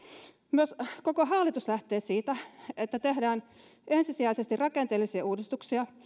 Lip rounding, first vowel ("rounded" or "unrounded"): rounded